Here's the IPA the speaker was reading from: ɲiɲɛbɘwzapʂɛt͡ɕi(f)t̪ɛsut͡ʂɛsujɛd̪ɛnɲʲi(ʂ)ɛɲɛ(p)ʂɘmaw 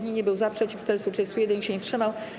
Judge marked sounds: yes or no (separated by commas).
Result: yes, no, no